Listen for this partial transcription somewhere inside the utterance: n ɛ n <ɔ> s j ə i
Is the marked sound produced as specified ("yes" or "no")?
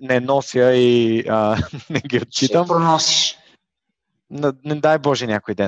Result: yes